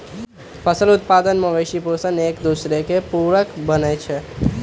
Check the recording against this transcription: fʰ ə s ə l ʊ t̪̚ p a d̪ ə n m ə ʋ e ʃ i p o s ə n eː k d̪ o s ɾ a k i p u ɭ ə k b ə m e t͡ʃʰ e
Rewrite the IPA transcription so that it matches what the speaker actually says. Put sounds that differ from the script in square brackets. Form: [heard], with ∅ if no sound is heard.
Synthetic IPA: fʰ ə s ə l ʊ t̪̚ p a d̪ ə n m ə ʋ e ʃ i p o s ə n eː k d̪ [u] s ɾ [e] k [e] p u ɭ ə k b ə [n] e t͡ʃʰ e